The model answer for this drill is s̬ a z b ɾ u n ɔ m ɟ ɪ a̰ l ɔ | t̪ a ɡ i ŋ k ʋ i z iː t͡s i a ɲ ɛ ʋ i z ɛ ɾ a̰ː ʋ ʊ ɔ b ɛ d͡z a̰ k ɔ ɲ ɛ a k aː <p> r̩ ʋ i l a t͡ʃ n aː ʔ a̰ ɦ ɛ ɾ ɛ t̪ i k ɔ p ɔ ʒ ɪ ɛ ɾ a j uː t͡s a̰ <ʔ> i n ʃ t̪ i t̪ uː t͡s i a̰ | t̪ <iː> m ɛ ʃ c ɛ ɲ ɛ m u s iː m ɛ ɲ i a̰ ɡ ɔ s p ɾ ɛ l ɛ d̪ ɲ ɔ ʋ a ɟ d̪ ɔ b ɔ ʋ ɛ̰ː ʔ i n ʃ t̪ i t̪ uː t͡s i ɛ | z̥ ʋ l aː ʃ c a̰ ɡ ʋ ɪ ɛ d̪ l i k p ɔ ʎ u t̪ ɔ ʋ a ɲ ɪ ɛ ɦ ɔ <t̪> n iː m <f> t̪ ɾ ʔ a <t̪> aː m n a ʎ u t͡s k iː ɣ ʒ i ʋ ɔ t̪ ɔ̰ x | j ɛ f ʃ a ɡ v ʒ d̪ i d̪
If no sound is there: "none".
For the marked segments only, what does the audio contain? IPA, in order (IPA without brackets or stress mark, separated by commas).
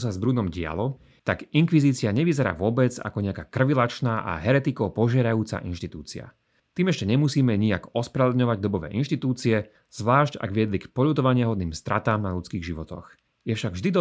k, ʔ, iː, d̪, s, t̪